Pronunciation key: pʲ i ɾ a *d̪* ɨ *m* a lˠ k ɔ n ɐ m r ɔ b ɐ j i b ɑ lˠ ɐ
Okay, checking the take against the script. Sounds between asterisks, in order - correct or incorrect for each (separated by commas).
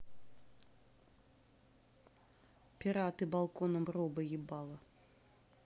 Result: incorrect, incorrect